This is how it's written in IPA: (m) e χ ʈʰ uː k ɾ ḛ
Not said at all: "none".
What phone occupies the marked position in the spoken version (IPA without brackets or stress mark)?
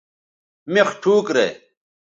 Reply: m